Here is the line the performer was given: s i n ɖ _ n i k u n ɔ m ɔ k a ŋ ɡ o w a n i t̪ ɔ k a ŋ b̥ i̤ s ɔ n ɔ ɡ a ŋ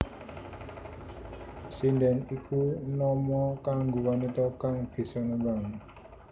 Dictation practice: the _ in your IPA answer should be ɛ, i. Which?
ɛ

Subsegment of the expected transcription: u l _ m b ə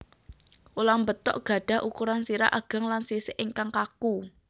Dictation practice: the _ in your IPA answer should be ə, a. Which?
a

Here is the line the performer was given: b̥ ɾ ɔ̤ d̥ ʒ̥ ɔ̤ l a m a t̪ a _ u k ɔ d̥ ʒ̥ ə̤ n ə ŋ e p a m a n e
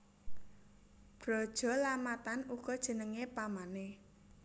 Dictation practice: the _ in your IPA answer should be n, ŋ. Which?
n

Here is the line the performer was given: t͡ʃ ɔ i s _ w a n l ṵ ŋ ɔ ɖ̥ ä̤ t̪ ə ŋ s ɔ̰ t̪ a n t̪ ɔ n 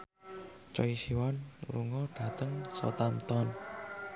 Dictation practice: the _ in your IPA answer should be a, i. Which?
i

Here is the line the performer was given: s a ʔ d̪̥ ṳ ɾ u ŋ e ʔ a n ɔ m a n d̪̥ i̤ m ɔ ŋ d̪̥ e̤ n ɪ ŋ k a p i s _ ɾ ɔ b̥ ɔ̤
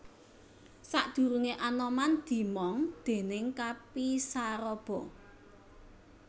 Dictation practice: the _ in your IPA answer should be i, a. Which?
a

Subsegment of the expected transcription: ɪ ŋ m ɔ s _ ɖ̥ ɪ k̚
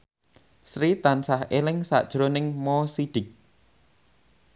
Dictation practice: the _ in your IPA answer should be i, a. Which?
i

